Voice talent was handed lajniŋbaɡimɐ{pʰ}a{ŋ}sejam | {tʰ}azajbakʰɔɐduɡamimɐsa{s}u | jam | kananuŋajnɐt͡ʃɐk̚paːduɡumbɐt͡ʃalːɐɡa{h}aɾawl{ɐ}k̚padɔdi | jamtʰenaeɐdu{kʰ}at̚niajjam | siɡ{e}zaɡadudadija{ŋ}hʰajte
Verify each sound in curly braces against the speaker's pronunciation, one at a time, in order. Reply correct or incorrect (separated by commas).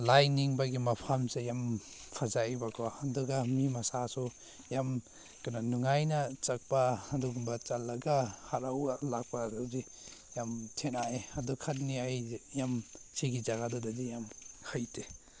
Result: correct, incorrect, incorrect, correct, correct, incorrect, correct, incorrect, incorrect